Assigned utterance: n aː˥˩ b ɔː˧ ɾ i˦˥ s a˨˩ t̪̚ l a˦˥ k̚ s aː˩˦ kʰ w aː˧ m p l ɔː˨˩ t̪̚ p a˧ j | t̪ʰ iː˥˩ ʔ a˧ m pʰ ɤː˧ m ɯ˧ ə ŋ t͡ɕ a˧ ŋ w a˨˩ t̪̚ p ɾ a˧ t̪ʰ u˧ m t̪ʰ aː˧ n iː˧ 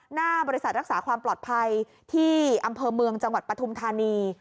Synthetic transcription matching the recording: n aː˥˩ b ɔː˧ ɾ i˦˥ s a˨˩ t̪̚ ɾ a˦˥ k̚ s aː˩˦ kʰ w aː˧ m p l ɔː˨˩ t̪̚ pʰ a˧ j | t̪ʰ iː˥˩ ʔ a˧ m pʰ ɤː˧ m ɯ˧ ə ŋ t͡ɕ a˧ ŋ w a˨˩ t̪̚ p ɾ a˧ t̪ʰ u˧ m t̪ʰ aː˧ n iː˧